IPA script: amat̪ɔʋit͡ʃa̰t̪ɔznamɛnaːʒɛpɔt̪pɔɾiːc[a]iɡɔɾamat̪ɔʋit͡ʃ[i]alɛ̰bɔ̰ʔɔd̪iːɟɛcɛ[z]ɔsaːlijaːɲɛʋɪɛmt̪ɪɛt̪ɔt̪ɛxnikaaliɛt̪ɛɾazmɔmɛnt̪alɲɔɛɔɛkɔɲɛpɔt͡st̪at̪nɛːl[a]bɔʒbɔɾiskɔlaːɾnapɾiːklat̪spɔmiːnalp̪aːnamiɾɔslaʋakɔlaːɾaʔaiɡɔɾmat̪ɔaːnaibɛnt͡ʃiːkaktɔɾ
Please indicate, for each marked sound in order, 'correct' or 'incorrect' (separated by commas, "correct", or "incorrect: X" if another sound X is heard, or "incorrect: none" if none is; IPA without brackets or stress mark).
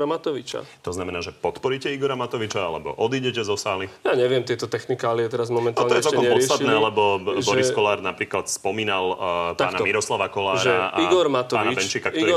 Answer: incorrect: ɛ, incorrect: a, correct, incorrect: ɛ